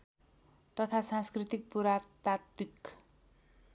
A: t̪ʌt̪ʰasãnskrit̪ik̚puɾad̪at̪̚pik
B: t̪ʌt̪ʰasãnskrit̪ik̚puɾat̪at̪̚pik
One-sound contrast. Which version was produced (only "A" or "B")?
B